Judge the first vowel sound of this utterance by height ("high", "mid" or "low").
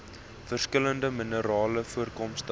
mid